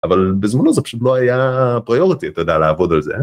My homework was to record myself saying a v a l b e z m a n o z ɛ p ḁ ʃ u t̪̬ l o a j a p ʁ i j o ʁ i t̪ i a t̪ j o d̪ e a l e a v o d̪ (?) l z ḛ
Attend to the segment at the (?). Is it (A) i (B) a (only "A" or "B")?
B